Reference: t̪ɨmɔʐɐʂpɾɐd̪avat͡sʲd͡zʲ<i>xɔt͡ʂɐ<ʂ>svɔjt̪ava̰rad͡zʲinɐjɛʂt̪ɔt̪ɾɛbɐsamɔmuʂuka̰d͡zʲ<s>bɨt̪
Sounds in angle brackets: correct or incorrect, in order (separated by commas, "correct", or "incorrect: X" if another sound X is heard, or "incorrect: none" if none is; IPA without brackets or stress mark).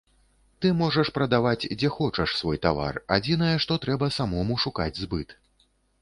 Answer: incorrect: ɛ, correct, incorrect: z